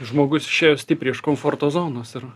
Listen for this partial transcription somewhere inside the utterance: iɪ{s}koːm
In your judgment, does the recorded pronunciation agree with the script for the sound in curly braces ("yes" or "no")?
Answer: no